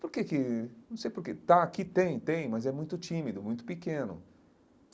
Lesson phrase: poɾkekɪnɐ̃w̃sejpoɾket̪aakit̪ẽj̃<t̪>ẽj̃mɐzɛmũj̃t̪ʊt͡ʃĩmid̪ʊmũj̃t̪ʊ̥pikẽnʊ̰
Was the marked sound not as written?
no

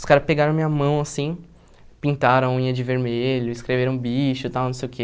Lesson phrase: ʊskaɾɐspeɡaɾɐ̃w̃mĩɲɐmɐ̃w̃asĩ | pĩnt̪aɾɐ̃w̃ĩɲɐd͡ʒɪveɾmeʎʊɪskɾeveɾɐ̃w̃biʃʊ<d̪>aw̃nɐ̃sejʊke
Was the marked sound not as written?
yes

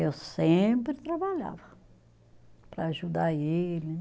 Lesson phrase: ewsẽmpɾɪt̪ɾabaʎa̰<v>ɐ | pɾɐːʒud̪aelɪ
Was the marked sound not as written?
no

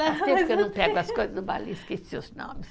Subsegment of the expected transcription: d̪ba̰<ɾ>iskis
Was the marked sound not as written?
yes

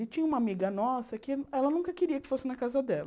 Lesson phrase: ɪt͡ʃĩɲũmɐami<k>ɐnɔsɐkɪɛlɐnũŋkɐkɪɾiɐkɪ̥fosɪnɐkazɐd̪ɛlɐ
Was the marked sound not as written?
yes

